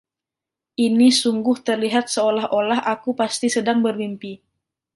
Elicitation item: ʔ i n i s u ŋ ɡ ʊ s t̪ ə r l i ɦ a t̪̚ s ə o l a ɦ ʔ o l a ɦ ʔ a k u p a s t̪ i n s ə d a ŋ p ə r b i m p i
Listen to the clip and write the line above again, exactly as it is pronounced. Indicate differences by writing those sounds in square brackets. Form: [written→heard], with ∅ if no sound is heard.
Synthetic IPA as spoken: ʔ i n i s u ŋ ɡ ʊ [s→h] t̪ ə r l i ɦ a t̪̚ s ə o l a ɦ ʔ o l a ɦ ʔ a k u p a s t̪ i [n→∅] s ə d a ŋ [p→b] ə r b i m p i